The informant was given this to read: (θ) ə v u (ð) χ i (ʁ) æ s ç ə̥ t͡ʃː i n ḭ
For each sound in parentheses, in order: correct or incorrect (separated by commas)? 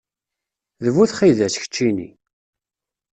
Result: incorrect, incorrect, incorrect